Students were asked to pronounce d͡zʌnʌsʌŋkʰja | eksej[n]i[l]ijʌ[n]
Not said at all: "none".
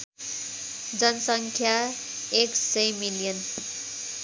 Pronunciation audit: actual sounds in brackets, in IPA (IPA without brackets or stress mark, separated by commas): m, l, n